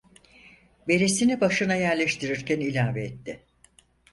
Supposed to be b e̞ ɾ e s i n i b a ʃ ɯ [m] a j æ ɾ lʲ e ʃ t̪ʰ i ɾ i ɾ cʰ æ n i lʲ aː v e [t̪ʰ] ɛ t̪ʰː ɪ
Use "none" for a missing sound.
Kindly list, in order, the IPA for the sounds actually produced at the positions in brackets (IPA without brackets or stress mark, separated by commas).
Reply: n, none